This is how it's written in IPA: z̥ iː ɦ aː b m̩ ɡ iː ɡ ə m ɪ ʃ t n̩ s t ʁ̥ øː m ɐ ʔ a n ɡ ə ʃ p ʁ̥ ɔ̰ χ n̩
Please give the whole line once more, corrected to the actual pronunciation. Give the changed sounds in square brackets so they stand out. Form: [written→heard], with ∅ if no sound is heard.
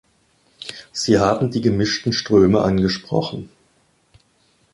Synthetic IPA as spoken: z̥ iː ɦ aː b m̩ [ɡ→d] iː ɡ ə m ɪ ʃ t n̩ [s→ʃ] t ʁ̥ øː m [ɐ→ə] ʔ a n ɡ ə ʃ p ʁ̥ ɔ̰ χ n̩